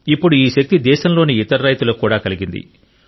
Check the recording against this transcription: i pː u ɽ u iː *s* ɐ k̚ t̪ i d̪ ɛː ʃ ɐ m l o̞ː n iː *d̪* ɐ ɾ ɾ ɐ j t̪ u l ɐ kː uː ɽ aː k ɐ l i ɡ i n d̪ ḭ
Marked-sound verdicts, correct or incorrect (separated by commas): incorrect, incorrect